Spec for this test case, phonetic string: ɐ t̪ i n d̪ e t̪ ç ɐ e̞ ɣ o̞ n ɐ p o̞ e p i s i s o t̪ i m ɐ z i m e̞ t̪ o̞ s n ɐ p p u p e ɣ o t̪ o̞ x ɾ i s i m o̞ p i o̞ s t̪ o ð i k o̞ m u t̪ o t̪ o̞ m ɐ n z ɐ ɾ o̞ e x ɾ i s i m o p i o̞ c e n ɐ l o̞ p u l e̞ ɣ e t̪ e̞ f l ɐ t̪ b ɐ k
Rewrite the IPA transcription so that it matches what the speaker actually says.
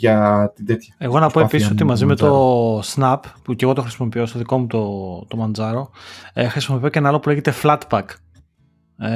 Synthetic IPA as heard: ɐ t̪ i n d̪ e t̪ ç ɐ e̞ ɣ o̞ n ɐ p o̞ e p i s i s o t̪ i m ɐ z i m e̞ t̪ o̞ s n ɐ p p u c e ɣ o t̪ o̞ x ɾ i s i m o̞ p i o̞ s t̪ o ð i k o̞ m u t̪ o t̪ o̞ m ɐ n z ɐ ɾ o̞ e x ɾ i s i m o p i o̞ c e n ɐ l o̞ p u l e̞ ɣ e t̪ e̞ f l ɐ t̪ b ɐ k